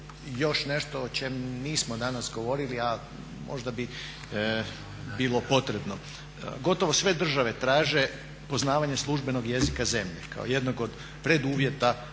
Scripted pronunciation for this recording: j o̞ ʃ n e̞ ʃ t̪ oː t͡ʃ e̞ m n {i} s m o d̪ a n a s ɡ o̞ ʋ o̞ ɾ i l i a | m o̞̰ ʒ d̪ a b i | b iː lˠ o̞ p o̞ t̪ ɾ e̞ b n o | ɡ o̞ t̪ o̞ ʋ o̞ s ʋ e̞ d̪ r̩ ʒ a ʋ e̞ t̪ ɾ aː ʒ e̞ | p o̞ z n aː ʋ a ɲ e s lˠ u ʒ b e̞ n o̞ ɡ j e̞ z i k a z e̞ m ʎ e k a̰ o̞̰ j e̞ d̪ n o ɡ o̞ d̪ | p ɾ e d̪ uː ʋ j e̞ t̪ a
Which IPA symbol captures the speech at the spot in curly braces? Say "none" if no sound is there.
iː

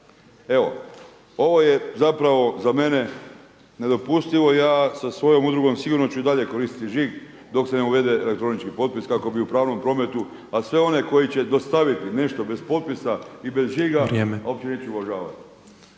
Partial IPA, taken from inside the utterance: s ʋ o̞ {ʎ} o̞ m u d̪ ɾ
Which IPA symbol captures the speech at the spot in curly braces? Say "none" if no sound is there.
j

